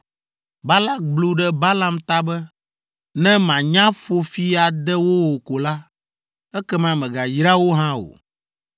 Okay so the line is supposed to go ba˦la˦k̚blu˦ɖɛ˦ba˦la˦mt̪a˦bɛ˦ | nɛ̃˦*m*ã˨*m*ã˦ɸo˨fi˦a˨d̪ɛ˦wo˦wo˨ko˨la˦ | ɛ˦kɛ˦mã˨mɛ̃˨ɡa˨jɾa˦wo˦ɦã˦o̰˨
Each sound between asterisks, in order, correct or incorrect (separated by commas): correct, incorrect